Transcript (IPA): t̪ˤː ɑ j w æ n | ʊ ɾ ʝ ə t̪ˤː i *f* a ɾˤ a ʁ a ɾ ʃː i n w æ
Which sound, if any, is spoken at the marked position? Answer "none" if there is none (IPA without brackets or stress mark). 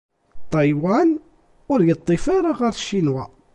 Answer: f